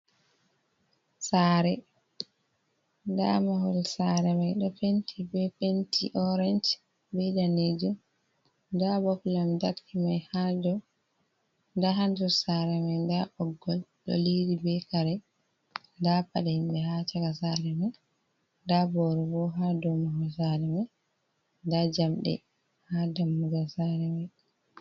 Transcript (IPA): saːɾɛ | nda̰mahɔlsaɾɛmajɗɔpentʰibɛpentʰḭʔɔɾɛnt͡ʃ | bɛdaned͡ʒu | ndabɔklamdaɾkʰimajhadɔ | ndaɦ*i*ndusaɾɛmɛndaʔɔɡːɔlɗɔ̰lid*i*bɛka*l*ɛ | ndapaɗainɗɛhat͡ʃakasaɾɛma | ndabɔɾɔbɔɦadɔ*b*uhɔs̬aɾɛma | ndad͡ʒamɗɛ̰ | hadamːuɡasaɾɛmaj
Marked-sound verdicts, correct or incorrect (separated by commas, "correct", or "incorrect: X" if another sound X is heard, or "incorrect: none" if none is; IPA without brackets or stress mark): incorrect: a, correct, incorrect: ɾ, incorrect: m